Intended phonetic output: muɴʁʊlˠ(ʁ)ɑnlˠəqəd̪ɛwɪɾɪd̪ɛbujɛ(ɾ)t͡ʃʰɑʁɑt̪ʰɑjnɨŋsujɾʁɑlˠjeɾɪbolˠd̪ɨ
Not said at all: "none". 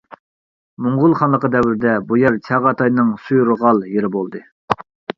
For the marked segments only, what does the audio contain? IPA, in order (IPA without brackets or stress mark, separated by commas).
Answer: χ, ɾ